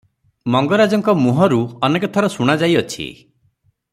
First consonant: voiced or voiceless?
voiced